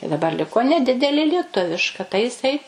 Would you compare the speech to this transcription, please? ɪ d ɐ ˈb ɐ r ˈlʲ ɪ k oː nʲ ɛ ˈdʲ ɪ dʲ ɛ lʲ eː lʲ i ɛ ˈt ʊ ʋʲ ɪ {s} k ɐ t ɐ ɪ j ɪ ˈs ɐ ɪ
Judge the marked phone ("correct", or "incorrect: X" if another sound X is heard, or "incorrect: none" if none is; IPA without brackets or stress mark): incorrect: ʃ